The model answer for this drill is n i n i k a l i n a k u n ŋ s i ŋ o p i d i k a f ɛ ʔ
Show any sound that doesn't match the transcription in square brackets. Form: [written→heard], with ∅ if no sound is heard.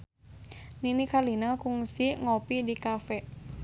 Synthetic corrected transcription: n i n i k a l i n a k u [n→∅] ŋ s i ŋ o p i d i k a f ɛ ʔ